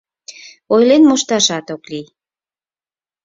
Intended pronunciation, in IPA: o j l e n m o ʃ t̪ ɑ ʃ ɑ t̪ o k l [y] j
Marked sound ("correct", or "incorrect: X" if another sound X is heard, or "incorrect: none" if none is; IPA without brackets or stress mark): incorrect: i